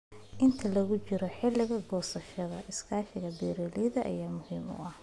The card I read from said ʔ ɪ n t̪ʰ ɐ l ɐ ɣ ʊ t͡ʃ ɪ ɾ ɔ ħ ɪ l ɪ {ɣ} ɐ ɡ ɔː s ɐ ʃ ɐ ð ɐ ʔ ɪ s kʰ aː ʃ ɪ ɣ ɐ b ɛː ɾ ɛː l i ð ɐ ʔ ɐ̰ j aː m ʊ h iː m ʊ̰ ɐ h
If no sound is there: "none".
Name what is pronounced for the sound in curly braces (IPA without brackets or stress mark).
ɣ